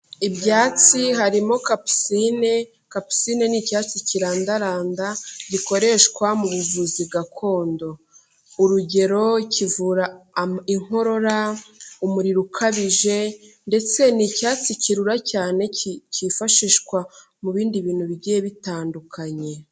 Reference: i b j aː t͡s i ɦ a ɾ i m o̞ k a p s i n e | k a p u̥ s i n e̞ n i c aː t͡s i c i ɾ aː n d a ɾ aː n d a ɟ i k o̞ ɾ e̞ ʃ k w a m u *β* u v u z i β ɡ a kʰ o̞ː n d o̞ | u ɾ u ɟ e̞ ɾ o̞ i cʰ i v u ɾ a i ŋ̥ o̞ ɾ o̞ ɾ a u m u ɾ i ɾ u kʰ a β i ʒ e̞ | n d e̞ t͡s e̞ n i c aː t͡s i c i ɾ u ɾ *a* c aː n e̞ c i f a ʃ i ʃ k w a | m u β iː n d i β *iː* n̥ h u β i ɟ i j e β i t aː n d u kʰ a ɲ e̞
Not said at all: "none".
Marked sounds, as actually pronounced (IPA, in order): β, a, iː

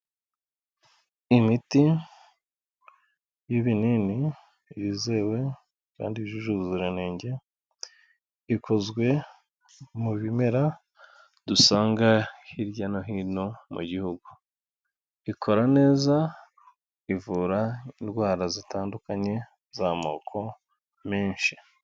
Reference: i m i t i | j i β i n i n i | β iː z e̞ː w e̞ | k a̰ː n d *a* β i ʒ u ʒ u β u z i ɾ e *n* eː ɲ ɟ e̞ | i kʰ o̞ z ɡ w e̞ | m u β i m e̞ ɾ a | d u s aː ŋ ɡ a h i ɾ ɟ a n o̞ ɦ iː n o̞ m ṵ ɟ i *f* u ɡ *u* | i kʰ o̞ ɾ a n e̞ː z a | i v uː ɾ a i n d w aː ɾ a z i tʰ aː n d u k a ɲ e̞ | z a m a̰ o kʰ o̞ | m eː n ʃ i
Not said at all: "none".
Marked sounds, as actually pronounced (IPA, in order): i, n, h, u

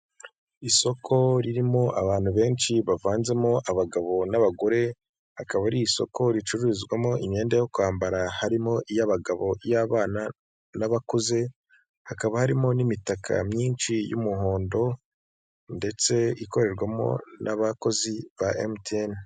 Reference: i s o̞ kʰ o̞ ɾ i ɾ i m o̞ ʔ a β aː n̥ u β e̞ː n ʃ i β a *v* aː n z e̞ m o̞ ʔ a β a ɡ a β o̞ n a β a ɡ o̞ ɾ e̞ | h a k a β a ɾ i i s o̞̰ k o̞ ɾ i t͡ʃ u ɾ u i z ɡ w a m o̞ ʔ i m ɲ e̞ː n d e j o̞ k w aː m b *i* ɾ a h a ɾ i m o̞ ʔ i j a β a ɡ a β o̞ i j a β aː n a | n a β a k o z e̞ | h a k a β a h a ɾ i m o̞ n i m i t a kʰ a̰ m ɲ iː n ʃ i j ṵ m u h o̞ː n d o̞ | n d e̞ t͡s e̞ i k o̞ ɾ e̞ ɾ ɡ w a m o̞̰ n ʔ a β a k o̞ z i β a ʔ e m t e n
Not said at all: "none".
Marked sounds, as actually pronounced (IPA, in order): v, a

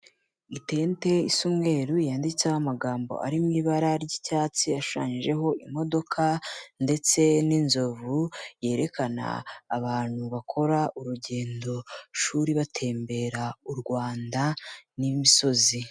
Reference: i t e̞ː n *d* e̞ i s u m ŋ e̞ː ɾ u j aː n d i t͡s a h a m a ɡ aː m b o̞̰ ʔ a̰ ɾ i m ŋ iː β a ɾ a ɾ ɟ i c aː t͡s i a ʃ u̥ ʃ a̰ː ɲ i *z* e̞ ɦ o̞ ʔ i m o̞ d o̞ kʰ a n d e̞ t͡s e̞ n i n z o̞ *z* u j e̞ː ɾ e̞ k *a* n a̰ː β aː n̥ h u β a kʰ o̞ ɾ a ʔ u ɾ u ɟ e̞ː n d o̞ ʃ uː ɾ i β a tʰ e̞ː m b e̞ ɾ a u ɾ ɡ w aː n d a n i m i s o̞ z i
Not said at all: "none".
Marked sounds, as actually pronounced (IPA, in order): t, ʒ, v, a

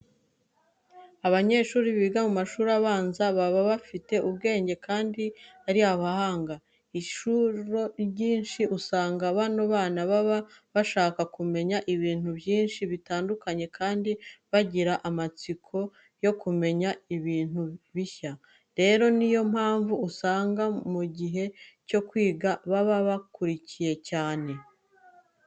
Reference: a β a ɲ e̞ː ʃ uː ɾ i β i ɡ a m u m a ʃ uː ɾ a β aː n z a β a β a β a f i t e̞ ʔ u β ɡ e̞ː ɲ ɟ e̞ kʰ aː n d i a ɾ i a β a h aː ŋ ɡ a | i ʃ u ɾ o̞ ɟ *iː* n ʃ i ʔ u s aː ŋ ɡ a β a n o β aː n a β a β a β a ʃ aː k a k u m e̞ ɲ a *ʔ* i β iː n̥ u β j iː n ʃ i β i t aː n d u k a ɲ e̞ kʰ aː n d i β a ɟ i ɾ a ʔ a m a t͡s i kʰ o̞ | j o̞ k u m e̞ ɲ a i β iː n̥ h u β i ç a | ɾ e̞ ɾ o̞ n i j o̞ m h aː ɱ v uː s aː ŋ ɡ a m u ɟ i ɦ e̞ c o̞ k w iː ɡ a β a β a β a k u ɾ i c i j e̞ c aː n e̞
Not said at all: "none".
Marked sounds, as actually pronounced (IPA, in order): iː, ʔ

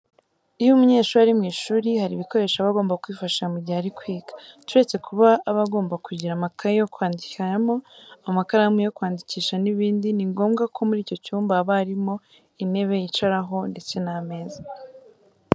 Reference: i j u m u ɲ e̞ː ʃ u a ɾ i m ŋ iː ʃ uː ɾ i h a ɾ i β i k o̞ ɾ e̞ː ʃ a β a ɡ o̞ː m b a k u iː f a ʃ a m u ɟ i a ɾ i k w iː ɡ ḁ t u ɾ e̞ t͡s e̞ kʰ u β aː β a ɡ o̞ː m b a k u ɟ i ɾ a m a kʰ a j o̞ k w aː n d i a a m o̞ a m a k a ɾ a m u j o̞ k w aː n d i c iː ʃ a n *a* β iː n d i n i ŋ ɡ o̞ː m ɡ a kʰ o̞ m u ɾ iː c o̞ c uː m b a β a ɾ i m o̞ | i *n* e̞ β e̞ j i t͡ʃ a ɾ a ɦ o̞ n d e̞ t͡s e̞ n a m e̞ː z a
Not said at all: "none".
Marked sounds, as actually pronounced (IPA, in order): i, n

